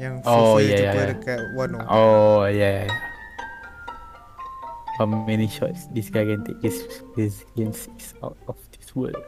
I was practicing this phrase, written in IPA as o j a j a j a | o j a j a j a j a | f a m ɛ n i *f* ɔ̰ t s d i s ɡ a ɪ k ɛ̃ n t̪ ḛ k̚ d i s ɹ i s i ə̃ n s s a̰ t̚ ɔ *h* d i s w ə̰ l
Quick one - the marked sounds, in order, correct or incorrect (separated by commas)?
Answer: incorrect, incorrect